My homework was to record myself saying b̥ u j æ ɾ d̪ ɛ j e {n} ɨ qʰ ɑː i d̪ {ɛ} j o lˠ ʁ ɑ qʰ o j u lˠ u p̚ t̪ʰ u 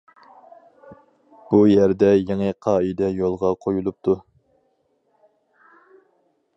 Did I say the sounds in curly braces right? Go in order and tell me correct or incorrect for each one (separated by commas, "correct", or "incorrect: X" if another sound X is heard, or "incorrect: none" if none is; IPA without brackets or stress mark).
incorrect: ŋ, correct